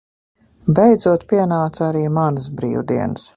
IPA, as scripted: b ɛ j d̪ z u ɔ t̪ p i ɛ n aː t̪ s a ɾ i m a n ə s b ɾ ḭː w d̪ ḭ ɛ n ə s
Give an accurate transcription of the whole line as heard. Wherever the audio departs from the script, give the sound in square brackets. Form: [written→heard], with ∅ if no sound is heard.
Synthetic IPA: b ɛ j d̪ z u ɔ t̪ p i ɛ n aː t̪ s a ɾ [i→iː] m a n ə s b ɾ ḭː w d̪ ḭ ɛ n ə s